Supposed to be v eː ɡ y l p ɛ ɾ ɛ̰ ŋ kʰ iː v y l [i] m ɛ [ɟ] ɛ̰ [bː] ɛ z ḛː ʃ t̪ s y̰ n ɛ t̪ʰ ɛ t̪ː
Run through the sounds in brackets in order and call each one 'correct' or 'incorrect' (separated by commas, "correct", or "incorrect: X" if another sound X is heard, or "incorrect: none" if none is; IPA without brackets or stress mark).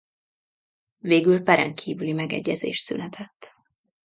correct, incorrect: ɡ, incorrect: ɟː